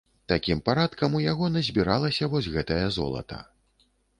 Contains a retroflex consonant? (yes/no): no